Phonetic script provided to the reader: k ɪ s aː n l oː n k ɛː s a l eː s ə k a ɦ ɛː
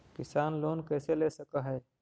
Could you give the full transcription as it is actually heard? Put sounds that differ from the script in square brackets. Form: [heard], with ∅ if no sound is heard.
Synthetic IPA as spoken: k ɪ s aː n l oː n k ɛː s [e] l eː s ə k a ɦ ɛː